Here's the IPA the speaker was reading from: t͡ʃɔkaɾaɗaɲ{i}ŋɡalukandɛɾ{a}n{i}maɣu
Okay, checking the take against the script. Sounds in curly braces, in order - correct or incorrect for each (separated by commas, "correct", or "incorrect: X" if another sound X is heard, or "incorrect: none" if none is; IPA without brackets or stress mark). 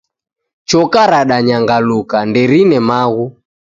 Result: incorrect: a, incorrect: i, incorrect: ɛ